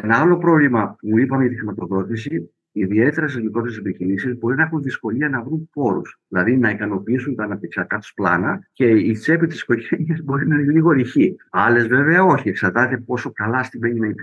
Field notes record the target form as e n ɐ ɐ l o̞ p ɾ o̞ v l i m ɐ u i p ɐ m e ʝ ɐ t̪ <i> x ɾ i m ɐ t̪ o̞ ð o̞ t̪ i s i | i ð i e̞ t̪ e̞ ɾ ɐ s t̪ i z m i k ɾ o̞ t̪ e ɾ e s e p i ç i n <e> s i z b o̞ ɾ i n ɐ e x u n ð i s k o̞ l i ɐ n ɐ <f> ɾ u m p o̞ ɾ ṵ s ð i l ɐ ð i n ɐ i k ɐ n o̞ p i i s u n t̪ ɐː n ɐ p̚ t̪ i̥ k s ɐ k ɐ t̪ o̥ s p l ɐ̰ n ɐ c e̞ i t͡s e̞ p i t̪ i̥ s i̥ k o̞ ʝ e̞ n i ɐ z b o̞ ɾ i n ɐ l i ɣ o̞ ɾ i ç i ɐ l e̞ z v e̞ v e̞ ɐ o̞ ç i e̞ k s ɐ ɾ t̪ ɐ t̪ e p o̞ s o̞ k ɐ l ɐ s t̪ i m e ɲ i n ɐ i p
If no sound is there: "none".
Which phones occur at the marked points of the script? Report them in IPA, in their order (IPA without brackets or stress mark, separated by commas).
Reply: i, i, v